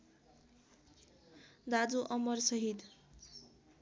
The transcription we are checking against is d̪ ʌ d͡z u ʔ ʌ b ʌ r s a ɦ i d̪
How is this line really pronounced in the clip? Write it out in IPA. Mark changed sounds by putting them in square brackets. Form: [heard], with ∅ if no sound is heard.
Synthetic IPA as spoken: d̪ [a] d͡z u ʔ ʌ [m] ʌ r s [ʌ] ɦ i d̪